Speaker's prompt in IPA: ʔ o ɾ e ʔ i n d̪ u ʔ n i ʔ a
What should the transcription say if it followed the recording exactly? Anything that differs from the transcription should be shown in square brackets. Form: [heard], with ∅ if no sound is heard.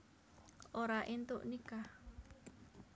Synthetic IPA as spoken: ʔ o ɾ [a] ʔ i n [t̪] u ʔ n i [k] a